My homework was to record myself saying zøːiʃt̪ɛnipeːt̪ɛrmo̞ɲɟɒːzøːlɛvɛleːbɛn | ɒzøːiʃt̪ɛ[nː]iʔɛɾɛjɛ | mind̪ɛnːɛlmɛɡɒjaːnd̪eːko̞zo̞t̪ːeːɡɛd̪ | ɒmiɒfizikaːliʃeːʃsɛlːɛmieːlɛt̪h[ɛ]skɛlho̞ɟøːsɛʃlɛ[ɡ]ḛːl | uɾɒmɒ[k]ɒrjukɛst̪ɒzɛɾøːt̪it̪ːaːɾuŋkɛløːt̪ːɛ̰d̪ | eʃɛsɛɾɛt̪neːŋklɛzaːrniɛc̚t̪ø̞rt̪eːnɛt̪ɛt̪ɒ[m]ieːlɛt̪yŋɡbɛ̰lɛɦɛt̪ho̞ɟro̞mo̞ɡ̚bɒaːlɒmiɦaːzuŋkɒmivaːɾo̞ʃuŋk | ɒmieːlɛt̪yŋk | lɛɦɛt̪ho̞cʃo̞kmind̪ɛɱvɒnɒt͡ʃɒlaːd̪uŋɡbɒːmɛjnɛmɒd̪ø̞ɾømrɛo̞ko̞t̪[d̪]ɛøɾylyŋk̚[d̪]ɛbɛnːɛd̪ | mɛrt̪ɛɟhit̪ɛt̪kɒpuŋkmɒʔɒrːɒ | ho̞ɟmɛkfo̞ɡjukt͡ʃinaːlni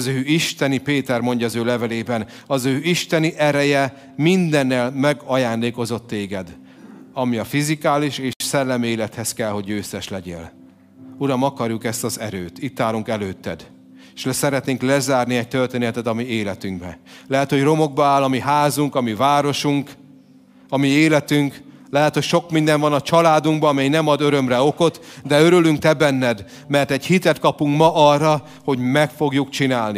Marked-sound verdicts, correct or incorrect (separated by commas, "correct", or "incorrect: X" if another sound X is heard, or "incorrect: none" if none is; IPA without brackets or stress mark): incorrect: n, correct, incorrect: ɟ, correct, correct, correct, incorrect: t̪